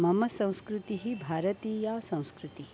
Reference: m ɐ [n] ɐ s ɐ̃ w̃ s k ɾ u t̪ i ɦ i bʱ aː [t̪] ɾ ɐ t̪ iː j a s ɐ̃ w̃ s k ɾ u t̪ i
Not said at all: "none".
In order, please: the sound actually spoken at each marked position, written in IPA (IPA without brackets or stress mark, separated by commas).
m, none